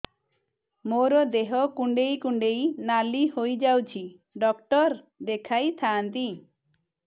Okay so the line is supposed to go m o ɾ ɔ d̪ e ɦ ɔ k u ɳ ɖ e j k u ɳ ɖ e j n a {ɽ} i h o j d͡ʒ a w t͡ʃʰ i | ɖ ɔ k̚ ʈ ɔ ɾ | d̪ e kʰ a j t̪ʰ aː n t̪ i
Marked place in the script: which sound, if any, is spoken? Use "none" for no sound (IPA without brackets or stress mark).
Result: l